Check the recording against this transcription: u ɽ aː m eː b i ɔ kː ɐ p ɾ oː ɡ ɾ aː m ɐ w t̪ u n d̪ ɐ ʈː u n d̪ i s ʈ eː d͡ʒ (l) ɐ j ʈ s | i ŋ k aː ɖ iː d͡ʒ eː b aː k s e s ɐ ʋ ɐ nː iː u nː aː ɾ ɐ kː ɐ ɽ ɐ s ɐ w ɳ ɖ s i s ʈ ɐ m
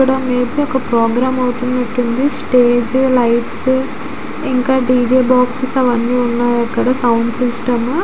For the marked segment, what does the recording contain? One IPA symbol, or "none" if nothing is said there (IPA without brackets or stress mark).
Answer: l